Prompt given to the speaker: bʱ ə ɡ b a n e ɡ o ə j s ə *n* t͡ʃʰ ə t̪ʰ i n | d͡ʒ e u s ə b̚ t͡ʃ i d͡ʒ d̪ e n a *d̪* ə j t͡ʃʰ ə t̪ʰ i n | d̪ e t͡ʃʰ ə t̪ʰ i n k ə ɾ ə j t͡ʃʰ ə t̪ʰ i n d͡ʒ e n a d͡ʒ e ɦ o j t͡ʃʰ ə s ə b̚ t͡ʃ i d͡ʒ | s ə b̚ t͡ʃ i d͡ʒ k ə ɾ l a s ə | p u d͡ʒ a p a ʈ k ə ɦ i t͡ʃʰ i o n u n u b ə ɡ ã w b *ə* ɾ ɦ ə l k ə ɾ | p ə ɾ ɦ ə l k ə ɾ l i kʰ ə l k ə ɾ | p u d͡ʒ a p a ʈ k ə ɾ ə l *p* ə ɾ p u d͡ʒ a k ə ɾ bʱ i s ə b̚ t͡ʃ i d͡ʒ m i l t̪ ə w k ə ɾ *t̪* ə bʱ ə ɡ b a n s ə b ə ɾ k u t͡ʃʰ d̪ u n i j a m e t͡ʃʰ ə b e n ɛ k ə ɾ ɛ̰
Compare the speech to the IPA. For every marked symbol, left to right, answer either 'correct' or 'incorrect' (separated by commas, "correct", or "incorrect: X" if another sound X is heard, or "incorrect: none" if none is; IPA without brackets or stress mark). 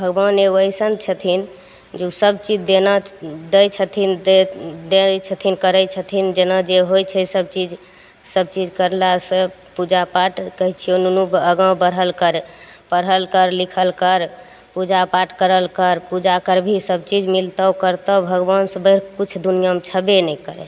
correct, correct, correct, incorrect: k, correct